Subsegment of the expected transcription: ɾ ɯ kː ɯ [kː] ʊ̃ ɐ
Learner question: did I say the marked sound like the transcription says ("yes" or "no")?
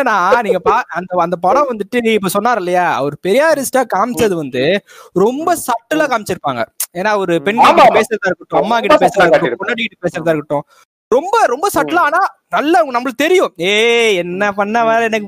no